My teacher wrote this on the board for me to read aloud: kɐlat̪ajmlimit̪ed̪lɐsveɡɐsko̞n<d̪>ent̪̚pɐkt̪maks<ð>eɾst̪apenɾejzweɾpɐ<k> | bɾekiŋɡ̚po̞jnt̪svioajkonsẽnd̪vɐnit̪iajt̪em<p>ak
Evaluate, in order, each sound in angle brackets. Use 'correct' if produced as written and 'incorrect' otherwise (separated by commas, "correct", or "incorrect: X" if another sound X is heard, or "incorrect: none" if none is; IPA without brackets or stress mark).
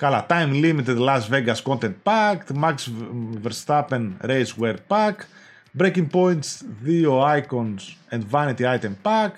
incorrect: t̪, incorrect: v, correct, correct